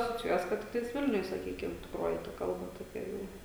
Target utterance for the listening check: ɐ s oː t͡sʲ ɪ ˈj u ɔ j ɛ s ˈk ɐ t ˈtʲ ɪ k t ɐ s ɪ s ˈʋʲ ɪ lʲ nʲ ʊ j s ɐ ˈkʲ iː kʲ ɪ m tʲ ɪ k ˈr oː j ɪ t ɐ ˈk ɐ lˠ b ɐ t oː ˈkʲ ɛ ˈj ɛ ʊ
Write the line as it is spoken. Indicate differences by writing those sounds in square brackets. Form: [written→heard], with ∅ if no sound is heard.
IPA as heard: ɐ s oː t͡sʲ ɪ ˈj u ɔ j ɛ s ˈk ɐ t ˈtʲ ɪ k t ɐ [s→∅] ɪ s ˈʋʲ ɪ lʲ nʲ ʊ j s ɐ ˈkʲ iː kʲ ɪ m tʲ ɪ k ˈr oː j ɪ t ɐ ˈk ɐ lˠ b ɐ t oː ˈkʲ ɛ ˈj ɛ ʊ